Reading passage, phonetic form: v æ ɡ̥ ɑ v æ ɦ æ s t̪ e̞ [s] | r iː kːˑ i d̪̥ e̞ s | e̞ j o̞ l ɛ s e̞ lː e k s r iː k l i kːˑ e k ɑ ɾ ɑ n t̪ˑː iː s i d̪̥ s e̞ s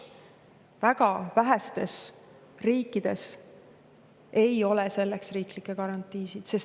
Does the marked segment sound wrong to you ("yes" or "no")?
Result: no